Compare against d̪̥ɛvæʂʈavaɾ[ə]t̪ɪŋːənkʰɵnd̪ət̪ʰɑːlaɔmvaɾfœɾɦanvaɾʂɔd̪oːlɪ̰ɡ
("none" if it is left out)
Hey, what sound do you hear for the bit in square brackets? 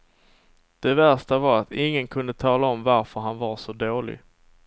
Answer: a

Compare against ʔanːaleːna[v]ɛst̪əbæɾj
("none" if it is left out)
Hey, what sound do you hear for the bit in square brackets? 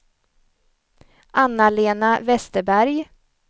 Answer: v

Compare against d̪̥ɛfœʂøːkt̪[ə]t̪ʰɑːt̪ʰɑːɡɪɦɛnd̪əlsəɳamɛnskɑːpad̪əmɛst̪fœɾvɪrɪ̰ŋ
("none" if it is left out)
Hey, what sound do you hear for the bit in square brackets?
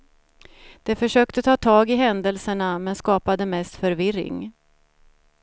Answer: ə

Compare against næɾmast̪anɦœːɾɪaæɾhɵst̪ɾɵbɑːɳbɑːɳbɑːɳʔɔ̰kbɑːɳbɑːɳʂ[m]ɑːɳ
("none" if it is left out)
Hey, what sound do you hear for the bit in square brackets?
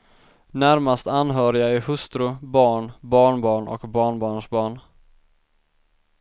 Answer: b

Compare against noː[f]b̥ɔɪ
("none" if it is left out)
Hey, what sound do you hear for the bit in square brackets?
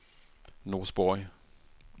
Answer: s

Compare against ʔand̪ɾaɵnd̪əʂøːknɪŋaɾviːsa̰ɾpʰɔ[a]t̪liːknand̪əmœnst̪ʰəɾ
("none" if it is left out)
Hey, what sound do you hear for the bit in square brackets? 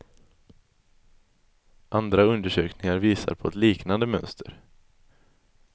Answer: ɛ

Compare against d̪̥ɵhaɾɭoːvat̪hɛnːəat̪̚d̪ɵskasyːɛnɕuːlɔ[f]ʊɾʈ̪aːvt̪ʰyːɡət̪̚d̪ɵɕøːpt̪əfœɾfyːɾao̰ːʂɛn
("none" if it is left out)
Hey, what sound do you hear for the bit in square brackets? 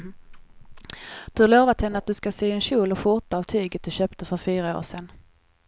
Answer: f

